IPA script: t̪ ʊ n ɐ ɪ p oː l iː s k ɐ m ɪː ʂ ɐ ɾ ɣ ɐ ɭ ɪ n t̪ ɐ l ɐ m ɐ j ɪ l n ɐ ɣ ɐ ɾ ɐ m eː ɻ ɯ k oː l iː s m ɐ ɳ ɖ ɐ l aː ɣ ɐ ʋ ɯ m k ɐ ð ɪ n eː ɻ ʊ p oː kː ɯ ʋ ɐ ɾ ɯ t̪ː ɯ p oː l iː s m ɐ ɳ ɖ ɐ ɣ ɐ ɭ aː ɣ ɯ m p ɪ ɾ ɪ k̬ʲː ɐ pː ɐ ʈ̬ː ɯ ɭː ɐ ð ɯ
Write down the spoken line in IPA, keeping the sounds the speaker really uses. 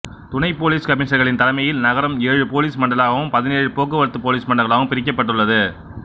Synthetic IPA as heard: t̪ ʊ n ɐ ɪ p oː l iː s k ɐ m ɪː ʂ ɐ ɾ ɣ ɐ ɭ ɪ n t̪ ɐ l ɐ m ɐ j ɪ l n ɐ ɣ ɐ ɾ ɐ m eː ɻ ɯ p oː l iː s m ɐ ɳ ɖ ɐ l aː ɣ ɐ ʋ ɯ m p ɐ ð ɪ n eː ɻ ɯ p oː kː ɯ ʋ ɐ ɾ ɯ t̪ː ɯ p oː l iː s m ɐ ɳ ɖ ɐ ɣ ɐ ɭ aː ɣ ɯ m p ɪ ɾ ɪ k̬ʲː ɐ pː ɐ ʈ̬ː ɯ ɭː ɐ ð ɯ